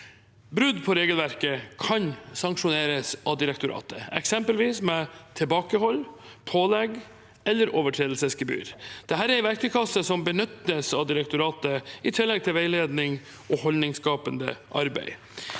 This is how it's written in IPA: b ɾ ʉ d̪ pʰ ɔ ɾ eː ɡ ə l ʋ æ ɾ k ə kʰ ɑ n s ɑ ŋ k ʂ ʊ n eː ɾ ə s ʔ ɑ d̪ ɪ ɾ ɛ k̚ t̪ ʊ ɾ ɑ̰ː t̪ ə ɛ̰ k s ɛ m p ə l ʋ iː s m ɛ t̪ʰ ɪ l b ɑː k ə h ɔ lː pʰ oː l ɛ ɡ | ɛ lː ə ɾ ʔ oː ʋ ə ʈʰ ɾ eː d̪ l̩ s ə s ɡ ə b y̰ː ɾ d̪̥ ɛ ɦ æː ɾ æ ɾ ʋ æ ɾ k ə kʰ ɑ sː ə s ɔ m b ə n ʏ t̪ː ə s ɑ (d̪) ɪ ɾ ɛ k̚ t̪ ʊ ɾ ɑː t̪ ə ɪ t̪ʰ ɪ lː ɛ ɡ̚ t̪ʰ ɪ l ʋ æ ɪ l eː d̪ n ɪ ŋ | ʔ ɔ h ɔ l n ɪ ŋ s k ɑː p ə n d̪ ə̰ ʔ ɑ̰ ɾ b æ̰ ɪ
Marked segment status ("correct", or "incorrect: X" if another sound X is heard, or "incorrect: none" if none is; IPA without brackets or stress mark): correct